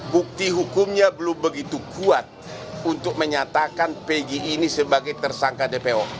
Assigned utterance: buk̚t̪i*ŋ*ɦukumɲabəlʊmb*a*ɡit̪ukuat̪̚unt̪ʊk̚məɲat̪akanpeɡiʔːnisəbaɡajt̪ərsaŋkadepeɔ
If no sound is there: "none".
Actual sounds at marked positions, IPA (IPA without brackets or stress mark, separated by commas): none, ə